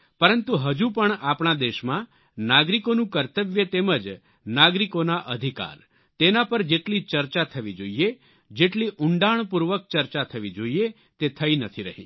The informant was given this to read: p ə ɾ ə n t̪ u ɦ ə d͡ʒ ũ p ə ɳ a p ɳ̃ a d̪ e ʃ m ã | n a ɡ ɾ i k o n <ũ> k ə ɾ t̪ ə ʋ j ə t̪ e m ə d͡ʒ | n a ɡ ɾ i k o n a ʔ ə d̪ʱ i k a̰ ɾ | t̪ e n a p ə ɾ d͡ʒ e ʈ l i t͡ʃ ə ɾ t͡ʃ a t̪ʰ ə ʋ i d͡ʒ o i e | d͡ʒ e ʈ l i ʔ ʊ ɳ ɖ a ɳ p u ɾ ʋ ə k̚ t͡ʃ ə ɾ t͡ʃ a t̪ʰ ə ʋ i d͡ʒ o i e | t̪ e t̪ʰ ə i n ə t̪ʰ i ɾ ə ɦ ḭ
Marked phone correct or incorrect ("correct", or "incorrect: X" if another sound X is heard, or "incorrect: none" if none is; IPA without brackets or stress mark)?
correct